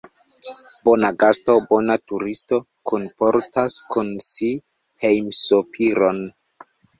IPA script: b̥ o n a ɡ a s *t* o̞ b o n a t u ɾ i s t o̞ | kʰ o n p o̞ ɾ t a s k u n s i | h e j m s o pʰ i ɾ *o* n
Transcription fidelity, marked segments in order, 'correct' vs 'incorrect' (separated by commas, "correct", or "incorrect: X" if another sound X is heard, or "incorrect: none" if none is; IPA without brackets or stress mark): correct, correct